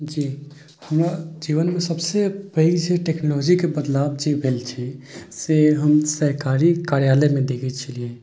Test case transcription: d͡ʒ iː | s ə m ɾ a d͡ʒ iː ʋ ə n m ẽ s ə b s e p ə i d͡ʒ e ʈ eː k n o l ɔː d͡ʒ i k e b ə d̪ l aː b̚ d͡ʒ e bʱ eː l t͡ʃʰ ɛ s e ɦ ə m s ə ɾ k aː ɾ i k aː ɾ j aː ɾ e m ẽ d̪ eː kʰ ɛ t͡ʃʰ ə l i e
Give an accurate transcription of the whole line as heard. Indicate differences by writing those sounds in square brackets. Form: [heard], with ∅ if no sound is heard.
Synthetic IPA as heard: d͡ʒ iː | [h] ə m ɾ a d͡ʒ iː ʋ ə n m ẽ s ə b s e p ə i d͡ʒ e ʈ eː k n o l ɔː d͡ʒ i k e b ə d̪ l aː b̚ d͡ʒ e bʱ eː l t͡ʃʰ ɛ s e ɦ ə m s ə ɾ k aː ɾ i k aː ɾ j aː [l] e m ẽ d̪ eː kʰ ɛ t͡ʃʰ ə l i e